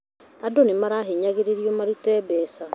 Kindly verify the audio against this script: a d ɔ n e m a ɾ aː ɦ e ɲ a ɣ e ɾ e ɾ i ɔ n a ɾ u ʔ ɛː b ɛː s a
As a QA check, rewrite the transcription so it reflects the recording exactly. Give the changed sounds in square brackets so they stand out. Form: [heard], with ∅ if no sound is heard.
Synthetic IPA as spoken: a d [o] n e m a ɾ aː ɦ e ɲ a ɣ e ɾ e ɾ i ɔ [m] a ɾ u [t] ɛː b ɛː s a